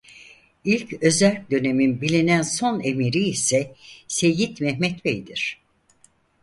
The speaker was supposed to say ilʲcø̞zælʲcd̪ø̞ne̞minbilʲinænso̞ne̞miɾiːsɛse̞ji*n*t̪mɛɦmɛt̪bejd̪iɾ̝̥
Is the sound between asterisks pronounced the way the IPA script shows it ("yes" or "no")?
no